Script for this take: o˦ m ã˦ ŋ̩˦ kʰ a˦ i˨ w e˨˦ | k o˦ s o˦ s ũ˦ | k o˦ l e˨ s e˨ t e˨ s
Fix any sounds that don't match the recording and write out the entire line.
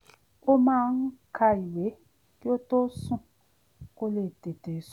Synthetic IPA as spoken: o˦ m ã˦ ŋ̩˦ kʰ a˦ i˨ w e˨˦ | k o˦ t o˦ s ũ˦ | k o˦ l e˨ t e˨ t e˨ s